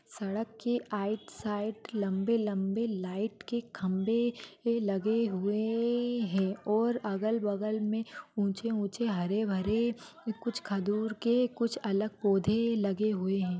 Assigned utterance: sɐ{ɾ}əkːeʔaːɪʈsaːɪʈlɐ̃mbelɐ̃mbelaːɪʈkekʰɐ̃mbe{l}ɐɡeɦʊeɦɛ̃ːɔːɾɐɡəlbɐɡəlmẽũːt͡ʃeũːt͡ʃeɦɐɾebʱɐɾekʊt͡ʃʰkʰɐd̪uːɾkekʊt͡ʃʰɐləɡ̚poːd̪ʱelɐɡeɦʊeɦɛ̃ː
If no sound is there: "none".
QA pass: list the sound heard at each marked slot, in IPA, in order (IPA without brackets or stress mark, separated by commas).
ɽ, l